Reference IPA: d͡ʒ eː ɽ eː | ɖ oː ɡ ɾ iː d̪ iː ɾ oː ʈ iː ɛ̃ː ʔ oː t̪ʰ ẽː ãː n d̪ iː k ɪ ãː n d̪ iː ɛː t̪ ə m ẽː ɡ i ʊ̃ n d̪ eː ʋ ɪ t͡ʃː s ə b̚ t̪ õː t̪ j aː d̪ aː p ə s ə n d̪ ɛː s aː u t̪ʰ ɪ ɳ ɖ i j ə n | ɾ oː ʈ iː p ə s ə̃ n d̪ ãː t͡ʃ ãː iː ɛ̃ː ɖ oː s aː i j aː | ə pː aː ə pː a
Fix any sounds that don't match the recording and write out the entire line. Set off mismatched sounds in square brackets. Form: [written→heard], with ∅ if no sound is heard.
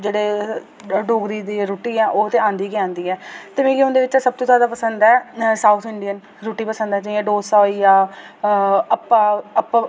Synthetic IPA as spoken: d͡ʒ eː ɽ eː | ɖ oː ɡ ɾ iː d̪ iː ɾ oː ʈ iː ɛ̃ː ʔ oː [t̪ʰ→t̪] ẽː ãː n d̪ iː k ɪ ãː n d̪ iː ɛː t̪ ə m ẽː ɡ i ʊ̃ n d̪ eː ʋ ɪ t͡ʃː s ə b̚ t̪ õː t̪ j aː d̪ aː p ə s ə n d̪ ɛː s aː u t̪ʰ ɪ ɳ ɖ i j ə n | ɾ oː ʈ iː p ə s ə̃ n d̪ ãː t͡ʃ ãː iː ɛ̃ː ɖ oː s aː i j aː | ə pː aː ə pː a